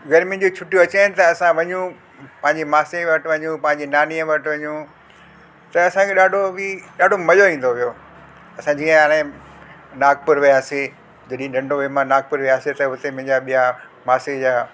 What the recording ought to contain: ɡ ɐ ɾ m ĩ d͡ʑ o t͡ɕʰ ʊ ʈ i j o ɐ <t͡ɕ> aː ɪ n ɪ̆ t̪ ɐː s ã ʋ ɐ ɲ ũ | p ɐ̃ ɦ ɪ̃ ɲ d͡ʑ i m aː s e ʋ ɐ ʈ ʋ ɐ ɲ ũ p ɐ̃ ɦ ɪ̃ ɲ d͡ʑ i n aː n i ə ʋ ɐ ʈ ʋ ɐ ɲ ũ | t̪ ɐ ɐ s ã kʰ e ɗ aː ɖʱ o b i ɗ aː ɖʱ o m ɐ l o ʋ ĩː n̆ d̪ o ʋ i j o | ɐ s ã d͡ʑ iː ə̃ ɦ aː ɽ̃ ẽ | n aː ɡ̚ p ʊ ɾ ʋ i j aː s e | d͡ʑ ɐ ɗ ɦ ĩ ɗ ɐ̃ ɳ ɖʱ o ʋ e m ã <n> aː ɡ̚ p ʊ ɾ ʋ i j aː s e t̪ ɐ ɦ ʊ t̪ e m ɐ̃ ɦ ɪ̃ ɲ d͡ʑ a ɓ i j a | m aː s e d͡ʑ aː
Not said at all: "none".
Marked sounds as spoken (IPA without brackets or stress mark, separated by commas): t͡ɕ, n